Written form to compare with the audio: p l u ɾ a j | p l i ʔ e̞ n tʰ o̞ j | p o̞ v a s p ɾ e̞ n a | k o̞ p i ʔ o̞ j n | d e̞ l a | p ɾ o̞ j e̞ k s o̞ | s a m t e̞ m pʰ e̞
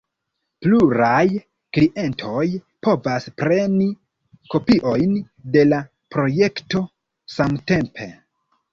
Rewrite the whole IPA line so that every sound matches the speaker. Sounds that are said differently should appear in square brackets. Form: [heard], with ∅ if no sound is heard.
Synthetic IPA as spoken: p l u ɾ a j | [k] l i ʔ e̞ n tʰ o̞ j | p o̞ v a s p ɾ e̞ n [i] | k o̞ p i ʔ o̞ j n | d e̞ l a | p ɾ o̞ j e̞ k [t] o̞ | s a m t e̞ m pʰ e̞